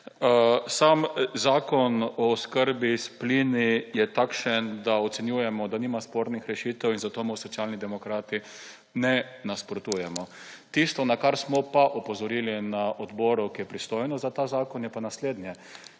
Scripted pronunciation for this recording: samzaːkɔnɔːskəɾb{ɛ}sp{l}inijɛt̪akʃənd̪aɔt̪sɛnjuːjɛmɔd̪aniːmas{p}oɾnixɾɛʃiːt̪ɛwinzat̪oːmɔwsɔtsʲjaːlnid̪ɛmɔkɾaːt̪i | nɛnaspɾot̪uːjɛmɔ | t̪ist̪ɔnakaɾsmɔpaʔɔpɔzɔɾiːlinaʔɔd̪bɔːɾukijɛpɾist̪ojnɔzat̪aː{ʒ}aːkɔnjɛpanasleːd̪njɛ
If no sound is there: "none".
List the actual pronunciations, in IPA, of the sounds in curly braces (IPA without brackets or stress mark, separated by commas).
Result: i, l, p, z